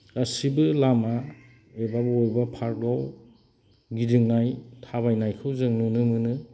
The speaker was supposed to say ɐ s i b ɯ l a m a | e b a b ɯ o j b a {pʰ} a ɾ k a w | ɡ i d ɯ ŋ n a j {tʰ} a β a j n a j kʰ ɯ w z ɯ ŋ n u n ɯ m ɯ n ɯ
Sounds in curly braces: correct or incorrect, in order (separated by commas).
correct, correct